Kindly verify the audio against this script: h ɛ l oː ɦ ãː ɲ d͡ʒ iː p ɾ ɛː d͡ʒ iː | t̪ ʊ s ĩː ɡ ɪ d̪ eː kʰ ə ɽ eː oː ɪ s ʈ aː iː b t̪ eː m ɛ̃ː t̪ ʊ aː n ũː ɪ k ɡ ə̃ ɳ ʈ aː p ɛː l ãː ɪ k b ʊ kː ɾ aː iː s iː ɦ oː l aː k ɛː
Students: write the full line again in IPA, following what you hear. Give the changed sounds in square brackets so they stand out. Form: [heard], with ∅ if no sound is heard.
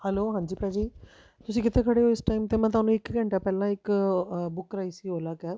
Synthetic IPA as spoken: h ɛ l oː ɦ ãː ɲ d͡ʒ iː p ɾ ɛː d͡ʒ iː | t̪ ʊ s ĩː [k] ɪ [t̪] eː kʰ ə ɽ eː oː ɪ s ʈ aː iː [m] t̪ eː m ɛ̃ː t̪ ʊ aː n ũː ɪ k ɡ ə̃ ɳ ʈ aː p ɛː l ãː ɪ k b ʊ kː ɾ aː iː s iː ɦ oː l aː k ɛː